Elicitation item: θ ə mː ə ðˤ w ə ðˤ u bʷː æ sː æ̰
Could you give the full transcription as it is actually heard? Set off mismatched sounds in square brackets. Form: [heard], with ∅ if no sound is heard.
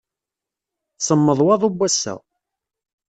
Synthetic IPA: [s] ə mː ə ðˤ w [ɑ] ðˤ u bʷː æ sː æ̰